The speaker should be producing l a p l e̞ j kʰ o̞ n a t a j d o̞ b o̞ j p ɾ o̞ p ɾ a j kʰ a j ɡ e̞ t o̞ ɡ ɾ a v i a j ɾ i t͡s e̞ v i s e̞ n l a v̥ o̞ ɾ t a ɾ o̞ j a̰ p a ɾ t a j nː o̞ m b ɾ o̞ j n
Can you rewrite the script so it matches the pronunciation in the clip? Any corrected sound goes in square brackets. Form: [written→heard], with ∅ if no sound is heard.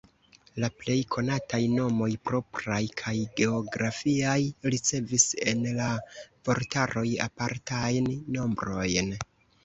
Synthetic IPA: l a p l e̞ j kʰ o̞ n a t a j [d→n] o̞ [b→m] o̞ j p ɾ o̞ p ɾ a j kʰ a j ɡ e̞ [t→∅] o̞ ɡ ɾ a [v→f] i a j ɾ i t͡s e̞ v i s e̞ n l a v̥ o̞ ɾ t a ɾ o̞ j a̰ p a ɾ t a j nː o̞ m b ɾ o̞ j n